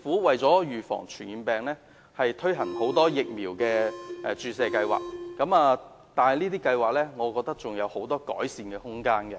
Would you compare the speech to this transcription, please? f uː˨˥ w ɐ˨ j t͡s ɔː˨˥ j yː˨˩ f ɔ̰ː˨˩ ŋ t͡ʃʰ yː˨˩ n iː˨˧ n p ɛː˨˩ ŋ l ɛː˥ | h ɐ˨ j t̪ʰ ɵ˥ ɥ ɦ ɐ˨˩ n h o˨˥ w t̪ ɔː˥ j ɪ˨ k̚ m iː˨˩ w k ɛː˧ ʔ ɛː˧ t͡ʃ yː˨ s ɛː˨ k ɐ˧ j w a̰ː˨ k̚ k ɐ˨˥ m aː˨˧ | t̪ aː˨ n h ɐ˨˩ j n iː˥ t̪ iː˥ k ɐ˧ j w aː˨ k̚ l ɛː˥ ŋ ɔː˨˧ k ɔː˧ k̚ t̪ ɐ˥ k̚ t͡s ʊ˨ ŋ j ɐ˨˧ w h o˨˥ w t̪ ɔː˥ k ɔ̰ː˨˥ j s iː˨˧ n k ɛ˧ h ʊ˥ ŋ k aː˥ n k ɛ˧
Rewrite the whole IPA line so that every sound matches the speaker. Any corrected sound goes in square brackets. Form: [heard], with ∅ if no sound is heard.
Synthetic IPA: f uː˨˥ w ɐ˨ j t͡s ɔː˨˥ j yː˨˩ f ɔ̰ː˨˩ ŋ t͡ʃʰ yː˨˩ n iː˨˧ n p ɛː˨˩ ŋ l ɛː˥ | h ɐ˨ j t̪ʰ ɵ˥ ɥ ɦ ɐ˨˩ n h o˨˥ w t̪ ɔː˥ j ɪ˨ k̚ m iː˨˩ w k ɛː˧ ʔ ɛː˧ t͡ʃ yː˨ s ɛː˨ k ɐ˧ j w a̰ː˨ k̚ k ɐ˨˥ m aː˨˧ | t̪ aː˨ n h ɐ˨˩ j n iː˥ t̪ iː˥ k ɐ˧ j w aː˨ k̚ l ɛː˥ ŋ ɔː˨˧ k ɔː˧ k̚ t̪ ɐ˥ k̚ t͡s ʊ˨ ŋ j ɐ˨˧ w h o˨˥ w t̪ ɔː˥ k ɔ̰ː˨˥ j s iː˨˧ n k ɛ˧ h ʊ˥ ŋ k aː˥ n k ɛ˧

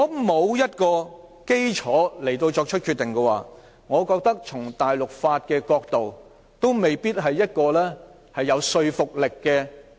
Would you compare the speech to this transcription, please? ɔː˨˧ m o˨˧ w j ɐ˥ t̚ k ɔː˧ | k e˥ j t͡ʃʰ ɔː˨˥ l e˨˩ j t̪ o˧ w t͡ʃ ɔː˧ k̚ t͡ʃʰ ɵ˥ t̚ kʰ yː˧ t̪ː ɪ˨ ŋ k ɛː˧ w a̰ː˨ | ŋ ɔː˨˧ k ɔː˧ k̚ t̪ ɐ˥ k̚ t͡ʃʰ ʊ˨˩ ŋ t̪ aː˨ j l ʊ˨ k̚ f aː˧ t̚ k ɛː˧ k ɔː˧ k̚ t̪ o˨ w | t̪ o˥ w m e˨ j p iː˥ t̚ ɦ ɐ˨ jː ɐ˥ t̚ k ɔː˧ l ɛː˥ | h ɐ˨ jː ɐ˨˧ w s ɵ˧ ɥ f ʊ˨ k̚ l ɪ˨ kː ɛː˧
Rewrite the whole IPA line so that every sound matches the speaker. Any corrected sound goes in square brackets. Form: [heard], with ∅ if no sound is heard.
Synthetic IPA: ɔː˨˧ m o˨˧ w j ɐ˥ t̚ k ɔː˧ | k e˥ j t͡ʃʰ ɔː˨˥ l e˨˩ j t̪ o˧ w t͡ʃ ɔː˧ k̚ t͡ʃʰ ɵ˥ t̚ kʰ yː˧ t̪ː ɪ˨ ŋ k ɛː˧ w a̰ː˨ | ŋ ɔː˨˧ k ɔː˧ k̚ t̪ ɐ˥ k̚ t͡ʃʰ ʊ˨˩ ŋ t̪ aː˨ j l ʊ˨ k̚ f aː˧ t̚ k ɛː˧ k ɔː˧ k̚ t̪ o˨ w | t̪ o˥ w m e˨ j p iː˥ t̚ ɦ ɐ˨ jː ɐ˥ t̚ k ɔː˧ l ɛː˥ | h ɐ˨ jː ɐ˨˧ w s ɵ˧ ɥ f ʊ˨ k̚ l ɪ˨ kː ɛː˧

